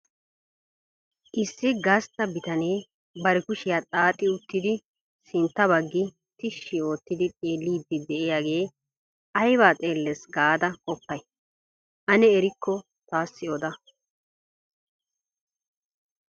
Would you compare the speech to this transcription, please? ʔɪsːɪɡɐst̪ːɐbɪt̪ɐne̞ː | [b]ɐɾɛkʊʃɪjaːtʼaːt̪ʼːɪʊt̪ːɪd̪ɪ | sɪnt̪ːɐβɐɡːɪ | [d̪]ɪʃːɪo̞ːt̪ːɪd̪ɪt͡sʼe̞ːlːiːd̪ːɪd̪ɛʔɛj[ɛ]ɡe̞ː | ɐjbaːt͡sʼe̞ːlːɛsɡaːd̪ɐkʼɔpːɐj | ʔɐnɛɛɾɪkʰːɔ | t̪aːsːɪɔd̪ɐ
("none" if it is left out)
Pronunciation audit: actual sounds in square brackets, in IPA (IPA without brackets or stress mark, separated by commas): b, t̪, a